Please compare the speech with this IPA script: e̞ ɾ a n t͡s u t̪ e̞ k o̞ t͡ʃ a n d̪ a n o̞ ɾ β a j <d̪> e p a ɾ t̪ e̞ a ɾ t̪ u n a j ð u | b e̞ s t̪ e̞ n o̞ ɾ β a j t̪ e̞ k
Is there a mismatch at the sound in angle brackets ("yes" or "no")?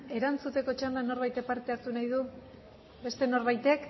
yes